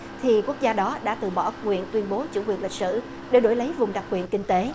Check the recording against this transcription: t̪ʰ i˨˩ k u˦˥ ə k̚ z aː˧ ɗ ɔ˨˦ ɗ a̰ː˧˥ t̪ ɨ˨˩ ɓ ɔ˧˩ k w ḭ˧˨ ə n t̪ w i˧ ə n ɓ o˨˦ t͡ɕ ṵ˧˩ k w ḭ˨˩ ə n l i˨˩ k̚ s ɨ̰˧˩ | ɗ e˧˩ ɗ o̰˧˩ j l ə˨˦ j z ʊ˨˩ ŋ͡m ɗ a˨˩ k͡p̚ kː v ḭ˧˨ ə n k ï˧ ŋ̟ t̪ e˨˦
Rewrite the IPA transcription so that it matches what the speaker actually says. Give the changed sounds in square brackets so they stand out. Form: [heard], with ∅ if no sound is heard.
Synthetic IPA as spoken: t̪ʰ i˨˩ k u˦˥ ə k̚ z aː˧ ɗ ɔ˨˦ ɗ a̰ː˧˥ t̪ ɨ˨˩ ɓ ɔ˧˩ k w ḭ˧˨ ə n t̪ w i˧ ə n ɓ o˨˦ t͡ɕ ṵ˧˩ k w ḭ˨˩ ə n l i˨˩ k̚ s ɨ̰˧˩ | ɗ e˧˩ ɗ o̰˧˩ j l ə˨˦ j [v] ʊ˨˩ ŋ͡m ɗ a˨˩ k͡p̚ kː [w] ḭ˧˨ ə n k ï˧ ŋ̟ t̪ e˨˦